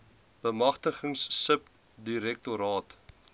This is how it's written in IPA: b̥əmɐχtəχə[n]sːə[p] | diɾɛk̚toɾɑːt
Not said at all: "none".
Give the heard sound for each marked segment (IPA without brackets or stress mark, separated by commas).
ŋ, p